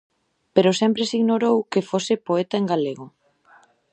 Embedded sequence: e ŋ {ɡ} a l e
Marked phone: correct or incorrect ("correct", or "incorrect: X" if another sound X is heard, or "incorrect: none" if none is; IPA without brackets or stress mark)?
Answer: correct